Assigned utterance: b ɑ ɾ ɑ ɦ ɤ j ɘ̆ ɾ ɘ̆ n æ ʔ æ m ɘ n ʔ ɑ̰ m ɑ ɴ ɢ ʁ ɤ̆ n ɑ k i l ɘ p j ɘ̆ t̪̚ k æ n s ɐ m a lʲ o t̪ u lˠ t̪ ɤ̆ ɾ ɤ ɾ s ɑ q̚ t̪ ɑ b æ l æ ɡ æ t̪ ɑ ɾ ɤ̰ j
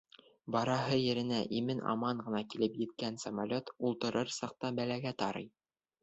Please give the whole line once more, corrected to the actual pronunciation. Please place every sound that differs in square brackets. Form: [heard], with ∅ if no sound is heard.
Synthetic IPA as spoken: b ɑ ɾ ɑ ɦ ɤ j ɘ̆ ɾ ɘ̆ n æ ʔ [i] m ɘ n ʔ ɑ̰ m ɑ ɴ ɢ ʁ ɤ̆ n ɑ k i l ɘ p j ɘ̆ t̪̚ k æ n s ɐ m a lʲ o t̪ u lˠ t̪ ɤ̆ ɾ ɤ ɾ s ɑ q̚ t̪ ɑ b æ l æ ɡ æ t̪ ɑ ɾ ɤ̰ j